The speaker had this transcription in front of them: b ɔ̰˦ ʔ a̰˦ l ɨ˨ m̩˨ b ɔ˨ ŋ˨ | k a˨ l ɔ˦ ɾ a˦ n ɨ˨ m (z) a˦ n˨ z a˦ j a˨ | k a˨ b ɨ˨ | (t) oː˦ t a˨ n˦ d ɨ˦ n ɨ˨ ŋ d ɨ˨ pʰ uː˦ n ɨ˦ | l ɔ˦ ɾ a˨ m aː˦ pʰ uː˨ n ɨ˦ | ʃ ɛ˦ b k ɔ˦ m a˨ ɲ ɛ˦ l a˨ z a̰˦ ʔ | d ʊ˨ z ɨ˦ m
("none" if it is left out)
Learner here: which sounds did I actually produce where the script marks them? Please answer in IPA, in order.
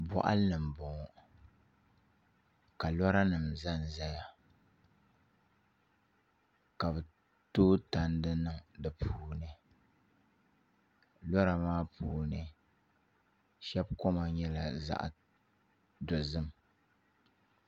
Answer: z, t

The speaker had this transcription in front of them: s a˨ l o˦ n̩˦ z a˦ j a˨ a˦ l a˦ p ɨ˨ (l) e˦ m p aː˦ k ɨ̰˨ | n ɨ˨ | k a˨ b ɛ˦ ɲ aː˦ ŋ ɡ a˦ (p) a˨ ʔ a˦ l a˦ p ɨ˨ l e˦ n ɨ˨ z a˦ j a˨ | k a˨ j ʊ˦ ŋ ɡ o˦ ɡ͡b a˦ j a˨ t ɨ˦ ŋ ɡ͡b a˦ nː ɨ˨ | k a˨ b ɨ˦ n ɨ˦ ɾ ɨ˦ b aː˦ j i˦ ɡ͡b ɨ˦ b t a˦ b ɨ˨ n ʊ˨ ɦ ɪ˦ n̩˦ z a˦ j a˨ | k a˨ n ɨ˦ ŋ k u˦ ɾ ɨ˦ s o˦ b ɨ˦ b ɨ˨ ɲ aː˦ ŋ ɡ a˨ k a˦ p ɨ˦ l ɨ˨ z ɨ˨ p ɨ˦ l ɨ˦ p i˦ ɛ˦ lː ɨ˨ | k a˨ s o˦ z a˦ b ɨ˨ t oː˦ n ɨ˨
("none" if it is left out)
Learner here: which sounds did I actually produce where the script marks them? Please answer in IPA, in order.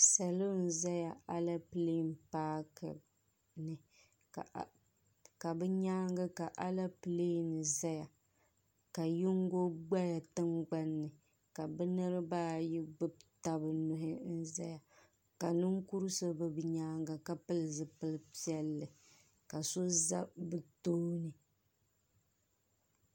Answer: l, k

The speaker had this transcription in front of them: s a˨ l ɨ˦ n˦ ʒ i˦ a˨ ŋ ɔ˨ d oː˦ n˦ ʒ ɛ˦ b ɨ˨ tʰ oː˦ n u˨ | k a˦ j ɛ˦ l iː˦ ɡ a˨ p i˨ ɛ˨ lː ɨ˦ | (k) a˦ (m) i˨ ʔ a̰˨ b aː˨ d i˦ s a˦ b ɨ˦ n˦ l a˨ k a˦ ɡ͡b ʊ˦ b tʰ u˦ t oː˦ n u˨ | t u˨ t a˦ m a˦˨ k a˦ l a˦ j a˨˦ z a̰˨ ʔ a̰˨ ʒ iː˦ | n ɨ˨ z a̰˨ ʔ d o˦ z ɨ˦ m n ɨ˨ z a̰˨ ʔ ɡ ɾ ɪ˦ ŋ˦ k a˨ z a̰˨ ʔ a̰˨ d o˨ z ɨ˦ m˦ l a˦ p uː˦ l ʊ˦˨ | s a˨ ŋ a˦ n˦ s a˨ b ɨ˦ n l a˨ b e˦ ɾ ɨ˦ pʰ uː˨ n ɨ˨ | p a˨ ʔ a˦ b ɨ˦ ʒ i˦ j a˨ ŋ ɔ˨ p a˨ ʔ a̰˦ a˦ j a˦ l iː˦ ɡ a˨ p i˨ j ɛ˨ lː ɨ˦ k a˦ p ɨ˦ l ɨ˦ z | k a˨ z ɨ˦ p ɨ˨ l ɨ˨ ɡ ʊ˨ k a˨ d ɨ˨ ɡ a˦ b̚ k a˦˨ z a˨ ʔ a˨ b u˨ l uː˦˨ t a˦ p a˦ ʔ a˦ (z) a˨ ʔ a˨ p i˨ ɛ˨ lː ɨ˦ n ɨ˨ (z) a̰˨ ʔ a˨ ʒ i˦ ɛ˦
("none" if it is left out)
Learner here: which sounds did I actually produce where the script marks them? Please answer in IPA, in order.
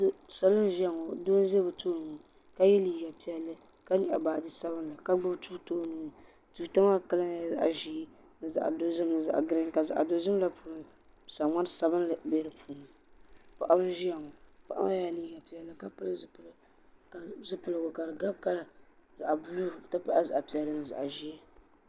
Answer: k, ɲ, z, z

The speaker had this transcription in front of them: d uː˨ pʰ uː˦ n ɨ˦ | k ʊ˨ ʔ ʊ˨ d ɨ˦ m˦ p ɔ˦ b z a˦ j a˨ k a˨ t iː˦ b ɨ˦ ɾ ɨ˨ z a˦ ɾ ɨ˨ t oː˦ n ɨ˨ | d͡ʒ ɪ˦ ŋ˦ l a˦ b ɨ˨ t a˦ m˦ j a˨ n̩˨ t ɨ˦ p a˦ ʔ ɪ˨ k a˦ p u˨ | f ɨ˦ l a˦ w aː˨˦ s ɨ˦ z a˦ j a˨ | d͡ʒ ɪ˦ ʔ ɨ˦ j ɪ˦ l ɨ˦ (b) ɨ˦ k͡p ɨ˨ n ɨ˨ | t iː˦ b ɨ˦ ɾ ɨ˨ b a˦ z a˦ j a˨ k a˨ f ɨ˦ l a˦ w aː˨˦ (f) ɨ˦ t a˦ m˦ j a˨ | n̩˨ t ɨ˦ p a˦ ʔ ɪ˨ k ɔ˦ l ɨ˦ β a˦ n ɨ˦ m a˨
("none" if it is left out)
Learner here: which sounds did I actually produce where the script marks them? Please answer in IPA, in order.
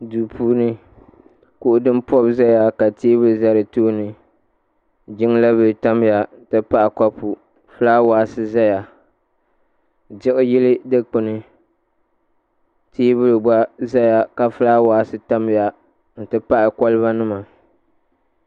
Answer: d, s

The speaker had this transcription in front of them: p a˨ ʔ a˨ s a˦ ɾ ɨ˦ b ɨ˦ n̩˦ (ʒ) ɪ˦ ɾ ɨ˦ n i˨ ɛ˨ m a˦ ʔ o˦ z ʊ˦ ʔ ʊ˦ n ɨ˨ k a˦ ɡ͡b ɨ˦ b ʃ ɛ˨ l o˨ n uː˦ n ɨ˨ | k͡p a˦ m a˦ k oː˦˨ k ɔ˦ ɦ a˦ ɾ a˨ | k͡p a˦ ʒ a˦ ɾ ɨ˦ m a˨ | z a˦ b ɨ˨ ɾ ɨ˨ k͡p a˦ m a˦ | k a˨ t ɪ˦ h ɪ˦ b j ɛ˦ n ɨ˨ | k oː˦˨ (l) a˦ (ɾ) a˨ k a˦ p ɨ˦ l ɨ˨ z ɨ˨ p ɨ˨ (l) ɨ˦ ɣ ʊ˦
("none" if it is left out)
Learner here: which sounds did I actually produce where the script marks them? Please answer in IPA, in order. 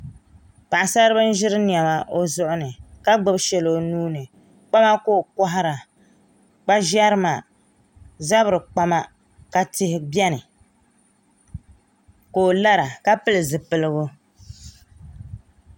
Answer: ʒ, l, ɾ, l

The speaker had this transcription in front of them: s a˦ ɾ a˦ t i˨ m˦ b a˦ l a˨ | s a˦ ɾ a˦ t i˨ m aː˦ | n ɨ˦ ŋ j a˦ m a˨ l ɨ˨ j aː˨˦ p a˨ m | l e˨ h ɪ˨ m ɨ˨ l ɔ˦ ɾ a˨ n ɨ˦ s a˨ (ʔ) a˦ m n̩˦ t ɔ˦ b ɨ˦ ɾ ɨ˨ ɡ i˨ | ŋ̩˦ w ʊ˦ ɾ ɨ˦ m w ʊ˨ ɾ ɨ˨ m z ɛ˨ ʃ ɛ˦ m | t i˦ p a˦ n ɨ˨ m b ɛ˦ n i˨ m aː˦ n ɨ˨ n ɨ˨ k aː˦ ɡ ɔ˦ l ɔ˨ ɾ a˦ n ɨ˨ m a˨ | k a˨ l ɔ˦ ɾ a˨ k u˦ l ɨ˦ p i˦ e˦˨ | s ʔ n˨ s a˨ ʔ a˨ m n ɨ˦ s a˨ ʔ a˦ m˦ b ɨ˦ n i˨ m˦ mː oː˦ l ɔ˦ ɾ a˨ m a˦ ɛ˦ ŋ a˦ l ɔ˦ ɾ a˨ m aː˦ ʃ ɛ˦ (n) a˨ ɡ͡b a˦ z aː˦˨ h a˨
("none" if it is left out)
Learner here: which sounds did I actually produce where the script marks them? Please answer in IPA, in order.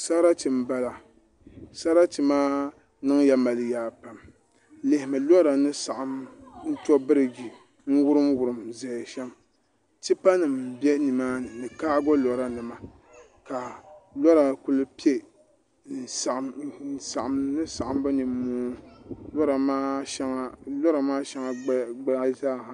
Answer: ʔ, ŋ

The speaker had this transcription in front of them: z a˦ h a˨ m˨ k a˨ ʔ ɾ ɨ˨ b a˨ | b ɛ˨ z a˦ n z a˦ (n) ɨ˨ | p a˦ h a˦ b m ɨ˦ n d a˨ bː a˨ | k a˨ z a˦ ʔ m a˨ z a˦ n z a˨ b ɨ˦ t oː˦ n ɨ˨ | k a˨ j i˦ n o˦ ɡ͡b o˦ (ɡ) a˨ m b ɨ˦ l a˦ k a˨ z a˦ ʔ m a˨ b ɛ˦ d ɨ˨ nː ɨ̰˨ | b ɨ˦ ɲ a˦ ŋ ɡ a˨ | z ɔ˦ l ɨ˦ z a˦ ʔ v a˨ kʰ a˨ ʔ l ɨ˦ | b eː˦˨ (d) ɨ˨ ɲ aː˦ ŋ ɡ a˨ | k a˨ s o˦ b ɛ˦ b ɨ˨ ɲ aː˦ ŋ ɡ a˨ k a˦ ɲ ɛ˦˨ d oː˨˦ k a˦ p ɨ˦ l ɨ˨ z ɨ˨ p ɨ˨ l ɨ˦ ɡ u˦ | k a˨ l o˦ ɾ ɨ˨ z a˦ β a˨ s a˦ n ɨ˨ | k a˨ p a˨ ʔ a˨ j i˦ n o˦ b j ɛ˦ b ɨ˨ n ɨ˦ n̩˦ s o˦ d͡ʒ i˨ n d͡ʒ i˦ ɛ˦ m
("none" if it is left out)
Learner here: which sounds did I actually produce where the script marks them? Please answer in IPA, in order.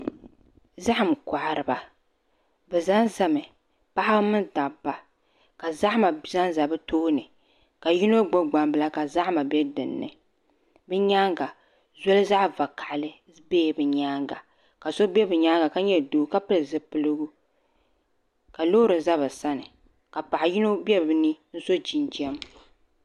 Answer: m, ɡ͡b, b

